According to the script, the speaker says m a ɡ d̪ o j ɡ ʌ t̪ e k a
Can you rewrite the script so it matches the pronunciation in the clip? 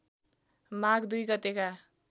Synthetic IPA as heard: m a ɡ d̪ u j ɡ ʌ t̪ e k a